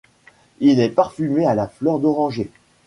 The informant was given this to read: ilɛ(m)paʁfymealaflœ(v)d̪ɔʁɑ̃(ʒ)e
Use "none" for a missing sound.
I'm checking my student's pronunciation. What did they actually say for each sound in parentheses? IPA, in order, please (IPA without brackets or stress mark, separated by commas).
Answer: none, ʁ, ʒ